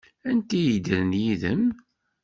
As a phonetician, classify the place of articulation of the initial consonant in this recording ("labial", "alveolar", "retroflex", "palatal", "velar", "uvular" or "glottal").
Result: alveolar